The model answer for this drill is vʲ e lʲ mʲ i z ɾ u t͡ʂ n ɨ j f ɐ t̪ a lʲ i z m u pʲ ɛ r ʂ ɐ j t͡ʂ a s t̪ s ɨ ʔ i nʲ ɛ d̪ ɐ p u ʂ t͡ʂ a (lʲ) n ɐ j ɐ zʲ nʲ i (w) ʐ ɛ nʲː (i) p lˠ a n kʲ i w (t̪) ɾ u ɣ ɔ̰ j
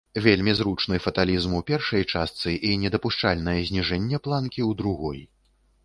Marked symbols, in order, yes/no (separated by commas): yes, no, no, no